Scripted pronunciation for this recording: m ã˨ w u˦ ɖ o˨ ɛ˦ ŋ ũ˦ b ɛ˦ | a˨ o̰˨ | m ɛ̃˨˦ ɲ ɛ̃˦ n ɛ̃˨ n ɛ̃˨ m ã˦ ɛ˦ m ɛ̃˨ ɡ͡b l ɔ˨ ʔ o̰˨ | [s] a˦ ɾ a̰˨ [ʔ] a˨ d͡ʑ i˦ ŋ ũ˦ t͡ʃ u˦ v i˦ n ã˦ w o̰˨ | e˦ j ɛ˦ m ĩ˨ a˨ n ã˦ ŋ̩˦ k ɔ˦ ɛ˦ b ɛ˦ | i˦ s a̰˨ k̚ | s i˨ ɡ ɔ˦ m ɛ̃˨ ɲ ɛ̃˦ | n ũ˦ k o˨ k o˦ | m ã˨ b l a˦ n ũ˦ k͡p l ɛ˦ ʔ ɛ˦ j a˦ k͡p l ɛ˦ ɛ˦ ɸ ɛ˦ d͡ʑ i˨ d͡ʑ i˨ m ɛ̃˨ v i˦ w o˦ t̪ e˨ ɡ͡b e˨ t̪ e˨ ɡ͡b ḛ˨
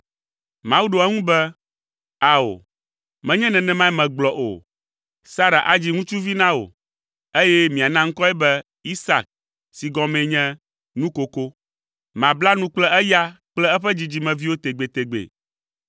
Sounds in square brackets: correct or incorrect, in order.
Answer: correct, correct

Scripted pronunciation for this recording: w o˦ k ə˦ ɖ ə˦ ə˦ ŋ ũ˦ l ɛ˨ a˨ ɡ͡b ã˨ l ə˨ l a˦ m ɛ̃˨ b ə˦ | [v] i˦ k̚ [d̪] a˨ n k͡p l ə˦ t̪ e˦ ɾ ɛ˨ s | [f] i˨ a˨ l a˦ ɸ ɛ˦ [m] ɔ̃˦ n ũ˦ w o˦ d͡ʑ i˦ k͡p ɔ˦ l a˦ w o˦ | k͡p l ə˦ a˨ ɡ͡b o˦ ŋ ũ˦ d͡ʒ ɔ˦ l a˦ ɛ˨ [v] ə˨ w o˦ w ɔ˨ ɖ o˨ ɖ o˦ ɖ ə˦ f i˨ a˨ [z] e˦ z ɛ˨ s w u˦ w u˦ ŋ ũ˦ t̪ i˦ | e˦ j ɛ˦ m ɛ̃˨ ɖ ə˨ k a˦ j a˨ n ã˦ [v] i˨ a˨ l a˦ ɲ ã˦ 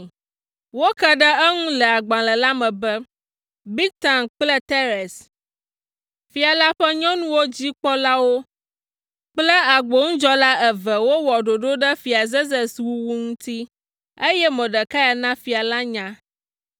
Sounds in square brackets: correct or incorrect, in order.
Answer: incorrect: b, incorrect: t̪, correct, incorrect: ɲ, correct, correct, incorrect: f

